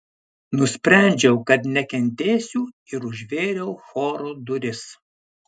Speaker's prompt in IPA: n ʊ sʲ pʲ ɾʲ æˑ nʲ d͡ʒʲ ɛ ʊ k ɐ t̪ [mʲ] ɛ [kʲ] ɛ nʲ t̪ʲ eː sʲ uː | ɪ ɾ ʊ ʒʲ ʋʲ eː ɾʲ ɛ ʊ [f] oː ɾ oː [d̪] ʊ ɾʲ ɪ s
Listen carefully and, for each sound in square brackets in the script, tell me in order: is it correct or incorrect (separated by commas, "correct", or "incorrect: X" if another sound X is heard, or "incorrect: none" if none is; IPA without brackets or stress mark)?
incorrect: nʲ, correct, incorrect: x, correct